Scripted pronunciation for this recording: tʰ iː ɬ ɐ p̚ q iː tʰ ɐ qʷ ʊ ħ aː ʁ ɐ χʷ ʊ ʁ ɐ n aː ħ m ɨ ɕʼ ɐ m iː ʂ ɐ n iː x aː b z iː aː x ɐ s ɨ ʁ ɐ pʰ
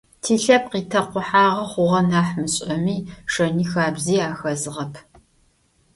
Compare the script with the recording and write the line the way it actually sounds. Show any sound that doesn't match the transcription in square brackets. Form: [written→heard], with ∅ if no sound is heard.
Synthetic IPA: tʰ iː ɬ ɐ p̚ q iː tʰ ɐ qʷ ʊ ħ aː ʁ ɐ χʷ ʊ ʁ ɐ n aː ħ m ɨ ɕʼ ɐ m iː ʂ ɐ n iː x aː b z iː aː x ɐ [s→z] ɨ ʁ ɐ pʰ